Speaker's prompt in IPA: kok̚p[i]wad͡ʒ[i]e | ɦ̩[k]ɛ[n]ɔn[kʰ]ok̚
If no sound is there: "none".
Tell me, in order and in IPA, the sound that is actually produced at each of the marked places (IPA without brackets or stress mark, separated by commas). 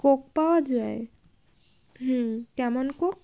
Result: a, a, k, m, k